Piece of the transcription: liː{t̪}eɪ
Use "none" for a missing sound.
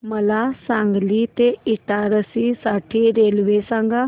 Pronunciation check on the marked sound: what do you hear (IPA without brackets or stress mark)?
t̪